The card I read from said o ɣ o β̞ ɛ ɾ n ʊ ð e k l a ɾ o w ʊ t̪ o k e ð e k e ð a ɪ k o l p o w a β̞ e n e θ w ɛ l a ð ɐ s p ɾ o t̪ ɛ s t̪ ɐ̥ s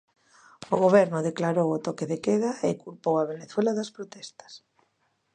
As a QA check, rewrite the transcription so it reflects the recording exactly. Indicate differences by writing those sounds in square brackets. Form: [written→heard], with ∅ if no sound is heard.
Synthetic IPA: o ɣ o β̞ ɛ ɾ n ʊ ð e k l a ɾ o w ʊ t̪ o k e ð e k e ð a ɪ k [o→u] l p o w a β̞ e n e θ w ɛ l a ð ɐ s p ɾ o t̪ ɛ s t̪ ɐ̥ s